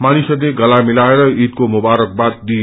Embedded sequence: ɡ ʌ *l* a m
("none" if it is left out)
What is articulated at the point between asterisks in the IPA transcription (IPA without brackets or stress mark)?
l